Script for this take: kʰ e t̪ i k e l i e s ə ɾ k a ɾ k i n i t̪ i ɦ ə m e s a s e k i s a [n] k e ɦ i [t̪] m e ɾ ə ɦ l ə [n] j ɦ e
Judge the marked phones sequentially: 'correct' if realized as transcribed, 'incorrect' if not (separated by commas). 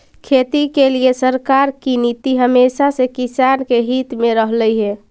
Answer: correct, correct, incorrect